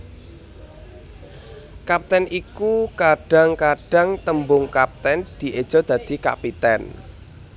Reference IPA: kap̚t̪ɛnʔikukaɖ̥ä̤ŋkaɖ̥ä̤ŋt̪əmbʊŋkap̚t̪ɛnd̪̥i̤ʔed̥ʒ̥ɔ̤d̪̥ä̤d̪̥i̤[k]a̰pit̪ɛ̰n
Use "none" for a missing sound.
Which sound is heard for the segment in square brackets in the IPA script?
k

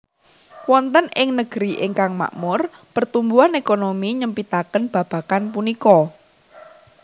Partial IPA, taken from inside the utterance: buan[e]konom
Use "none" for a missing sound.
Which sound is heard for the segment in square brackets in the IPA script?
e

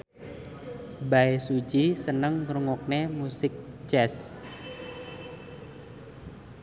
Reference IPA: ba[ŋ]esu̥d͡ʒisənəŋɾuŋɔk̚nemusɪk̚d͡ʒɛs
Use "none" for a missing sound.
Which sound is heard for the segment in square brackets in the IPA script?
none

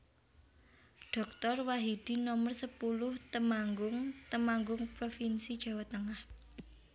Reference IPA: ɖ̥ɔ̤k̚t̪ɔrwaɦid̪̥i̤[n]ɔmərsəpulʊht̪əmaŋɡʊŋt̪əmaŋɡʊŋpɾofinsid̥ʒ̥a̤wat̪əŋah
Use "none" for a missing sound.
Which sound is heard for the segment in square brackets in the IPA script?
n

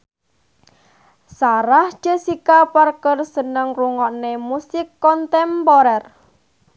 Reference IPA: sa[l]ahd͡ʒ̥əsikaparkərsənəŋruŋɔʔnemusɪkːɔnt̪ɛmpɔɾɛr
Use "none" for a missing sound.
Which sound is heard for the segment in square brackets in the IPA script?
ɾ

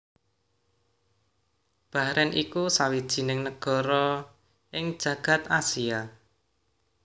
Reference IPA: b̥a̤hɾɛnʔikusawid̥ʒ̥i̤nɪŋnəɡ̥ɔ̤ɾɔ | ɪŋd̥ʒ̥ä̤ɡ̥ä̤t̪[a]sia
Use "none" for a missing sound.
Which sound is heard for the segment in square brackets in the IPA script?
a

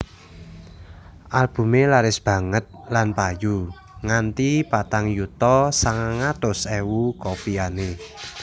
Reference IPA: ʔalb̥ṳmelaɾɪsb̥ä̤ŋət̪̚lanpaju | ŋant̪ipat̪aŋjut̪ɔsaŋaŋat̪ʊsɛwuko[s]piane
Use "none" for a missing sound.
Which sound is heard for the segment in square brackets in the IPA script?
none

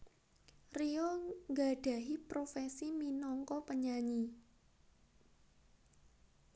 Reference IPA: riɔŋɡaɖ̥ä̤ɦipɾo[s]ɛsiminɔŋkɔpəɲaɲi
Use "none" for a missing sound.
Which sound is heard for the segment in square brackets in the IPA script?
f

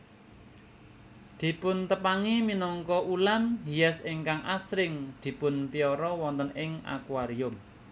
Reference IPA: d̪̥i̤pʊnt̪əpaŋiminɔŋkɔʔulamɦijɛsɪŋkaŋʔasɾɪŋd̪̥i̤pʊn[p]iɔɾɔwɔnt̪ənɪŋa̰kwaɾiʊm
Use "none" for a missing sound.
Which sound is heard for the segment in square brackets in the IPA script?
p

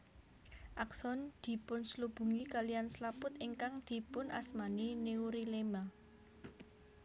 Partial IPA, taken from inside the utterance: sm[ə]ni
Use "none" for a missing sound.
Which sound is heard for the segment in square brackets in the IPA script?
a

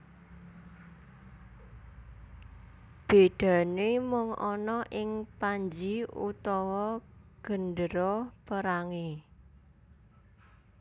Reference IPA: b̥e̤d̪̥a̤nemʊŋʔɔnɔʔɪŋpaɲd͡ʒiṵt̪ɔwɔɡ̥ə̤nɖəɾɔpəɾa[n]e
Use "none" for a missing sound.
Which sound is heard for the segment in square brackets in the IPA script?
ŋ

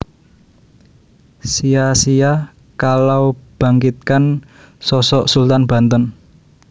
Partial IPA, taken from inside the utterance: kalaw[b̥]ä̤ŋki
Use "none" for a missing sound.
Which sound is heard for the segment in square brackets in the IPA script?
b̥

